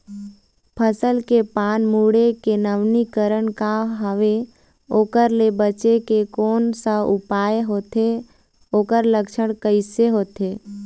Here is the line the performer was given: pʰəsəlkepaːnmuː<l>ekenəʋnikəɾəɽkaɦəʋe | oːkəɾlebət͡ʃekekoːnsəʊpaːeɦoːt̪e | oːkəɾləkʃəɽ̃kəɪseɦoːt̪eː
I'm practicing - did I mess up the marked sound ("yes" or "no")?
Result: yes